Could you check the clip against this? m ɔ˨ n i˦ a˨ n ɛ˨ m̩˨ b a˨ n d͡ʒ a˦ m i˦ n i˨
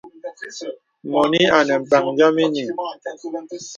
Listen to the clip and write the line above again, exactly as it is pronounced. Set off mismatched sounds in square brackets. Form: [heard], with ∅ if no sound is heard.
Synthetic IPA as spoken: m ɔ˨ n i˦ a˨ n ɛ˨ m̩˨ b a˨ [ŋ] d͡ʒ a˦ m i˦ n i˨